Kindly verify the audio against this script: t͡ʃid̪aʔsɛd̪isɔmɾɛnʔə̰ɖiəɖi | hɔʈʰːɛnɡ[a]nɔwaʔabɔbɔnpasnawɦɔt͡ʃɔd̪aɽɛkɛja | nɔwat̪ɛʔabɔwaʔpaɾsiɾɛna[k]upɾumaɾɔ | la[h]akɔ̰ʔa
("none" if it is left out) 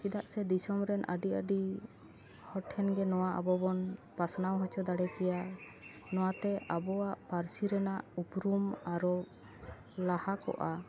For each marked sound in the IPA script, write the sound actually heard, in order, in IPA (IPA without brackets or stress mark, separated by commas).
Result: ɛ, ʔ, h